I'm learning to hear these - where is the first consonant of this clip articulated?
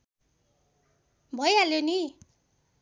lips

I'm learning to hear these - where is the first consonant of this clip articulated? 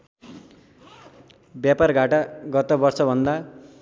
lips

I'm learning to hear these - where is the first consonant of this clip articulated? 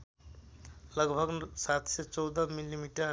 tongue tip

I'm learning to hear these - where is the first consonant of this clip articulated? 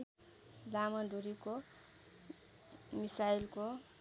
tongue tip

